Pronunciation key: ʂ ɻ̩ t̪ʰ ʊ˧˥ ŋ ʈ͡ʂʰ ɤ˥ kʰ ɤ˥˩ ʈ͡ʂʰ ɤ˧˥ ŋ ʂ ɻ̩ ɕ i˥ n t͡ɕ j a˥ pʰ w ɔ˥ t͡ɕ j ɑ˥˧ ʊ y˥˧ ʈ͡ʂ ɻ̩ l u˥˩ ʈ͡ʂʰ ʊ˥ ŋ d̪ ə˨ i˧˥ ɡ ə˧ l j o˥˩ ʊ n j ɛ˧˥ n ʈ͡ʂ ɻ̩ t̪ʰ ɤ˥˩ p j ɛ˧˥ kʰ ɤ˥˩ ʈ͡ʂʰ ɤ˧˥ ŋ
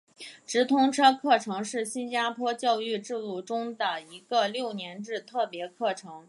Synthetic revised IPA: ʈ͡ʂ ɻ̩ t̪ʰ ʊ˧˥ ŋ ʈ͡ʂʰ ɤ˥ kʰ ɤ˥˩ ʈ͡ʂʰ ɤ˧˥ ŋ ʂ ɻ̩ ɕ i˥ n t͡ɕ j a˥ pʰ w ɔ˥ t͡ɕ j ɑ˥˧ ʊ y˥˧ ʈ͡ʂ ɻ̩ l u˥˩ ʈ͡ʂ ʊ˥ ŋ d̪ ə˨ i˧˥ ɡ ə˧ l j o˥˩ ʊ n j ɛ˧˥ n ʈ͡ʂ ɻ̩ t̪ʰ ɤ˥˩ p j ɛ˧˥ kʰ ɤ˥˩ ʈ͡ʂʰ ɤ˧˥ ŋ